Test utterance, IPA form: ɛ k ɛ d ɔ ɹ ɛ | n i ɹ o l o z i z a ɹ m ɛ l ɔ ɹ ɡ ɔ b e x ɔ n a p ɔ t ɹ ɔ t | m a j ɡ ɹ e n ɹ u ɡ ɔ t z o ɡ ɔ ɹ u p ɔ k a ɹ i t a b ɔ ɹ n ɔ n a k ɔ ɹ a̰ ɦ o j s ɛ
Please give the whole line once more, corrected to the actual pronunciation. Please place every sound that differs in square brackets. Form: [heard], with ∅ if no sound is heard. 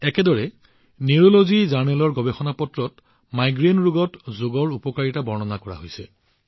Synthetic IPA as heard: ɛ k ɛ d ɔ ɹ ɛ | n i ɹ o l o z i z a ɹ [n] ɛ l ɔ ɹ ɡ ɔ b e x ɔ n a p ɔ t ɹ ɔ t | m a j ɡ ɹ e n ɹ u ɡ ɔ t z o ɡ ɔ ɹ u p ɔ k a ɹ i t a b ɔ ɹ n ɔ n a k ɔ ɹ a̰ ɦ o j s ɛ